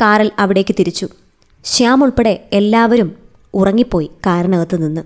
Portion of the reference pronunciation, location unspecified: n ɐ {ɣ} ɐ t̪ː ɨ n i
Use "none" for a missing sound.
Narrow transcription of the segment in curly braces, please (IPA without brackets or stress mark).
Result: ɣ